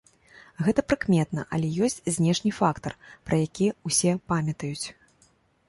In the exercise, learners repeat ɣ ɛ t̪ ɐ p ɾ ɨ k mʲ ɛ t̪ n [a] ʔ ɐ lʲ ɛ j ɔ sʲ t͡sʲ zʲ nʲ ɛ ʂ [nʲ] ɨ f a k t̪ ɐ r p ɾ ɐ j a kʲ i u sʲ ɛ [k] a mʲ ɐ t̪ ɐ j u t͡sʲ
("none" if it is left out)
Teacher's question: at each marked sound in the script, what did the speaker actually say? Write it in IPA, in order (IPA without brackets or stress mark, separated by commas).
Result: ɐ, nʲ, p